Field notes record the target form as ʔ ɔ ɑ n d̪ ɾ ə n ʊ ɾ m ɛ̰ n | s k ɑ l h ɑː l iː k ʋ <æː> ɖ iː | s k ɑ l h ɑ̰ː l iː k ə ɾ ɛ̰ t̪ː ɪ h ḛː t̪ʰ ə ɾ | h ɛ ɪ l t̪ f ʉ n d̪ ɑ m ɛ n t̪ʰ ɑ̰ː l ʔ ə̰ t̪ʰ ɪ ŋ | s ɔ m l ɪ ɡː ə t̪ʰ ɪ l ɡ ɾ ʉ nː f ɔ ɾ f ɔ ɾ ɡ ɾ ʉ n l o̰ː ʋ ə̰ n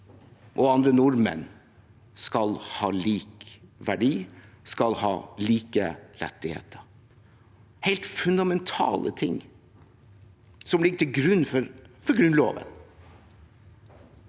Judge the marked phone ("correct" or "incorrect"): incorrect